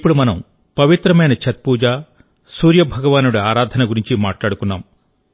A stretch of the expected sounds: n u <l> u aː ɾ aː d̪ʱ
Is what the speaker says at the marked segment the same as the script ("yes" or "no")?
no